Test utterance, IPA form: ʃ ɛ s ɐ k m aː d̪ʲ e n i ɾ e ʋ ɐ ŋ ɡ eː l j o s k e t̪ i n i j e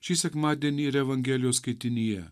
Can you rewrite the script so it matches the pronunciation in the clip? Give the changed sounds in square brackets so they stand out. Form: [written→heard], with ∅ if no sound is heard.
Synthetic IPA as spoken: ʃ [ɛ→i] s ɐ k m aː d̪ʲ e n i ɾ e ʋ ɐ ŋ ɡ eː l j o s k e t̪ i n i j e